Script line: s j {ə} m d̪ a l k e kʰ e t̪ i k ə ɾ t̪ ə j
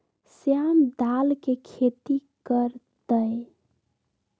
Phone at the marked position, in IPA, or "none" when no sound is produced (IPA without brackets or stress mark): a